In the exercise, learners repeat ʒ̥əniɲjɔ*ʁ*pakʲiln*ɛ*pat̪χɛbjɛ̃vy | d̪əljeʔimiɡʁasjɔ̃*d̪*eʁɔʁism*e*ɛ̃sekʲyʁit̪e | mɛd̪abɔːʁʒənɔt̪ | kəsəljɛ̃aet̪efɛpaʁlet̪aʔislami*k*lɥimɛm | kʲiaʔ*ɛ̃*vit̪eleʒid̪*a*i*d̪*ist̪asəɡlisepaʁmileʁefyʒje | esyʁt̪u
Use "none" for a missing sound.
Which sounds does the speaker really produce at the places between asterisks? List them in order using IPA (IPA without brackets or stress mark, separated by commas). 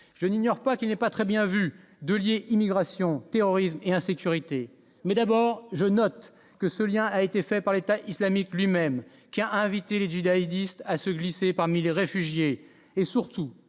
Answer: ʁ, ɛ, t̪, e, k, ɛ̃, a, d̪